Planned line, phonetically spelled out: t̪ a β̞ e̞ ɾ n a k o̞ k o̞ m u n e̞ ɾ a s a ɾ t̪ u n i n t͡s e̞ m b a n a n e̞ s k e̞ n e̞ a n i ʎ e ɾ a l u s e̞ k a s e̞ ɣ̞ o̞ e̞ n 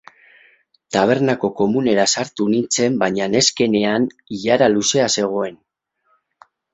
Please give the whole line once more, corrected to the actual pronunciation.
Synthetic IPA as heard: t̪ a β̞ e̞ ɾ n a k o̞ k o̞ m u n e̞ ɾ a s a ɾ t̪ u n i n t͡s e̞ m b a ɲ a n e̞ s k e̞ n e̞ a n i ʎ a ɾ a l u s e̞ a s e̞ ɣ̞ o̞ e̞ n